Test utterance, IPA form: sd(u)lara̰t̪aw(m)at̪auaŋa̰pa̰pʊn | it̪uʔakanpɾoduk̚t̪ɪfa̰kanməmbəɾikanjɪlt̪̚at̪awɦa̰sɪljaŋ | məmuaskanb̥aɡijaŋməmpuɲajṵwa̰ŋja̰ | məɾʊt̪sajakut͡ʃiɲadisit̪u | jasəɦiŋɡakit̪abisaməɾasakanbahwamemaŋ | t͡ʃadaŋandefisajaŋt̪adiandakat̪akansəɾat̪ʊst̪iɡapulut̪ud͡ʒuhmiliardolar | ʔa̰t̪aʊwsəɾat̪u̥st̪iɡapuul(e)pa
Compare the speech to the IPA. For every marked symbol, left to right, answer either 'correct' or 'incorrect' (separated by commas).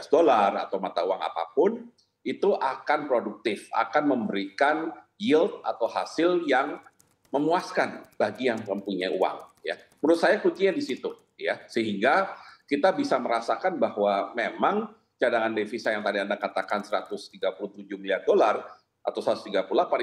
incorrect, correct, incorrect